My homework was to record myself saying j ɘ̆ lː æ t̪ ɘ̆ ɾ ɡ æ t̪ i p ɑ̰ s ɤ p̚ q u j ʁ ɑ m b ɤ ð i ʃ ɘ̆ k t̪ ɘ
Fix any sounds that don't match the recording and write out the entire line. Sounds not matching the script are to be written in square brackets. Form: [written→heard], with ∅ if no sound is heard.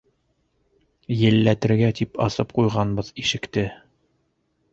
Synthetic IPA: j ɘ̆ lː æ t̪ ɘ̆ ɾ ɡ æ t̪ i p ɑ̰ s ɤ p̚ q u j ʁ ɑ [m→n] b ɤ ð i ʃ ɘ̆ k t̪ ɘ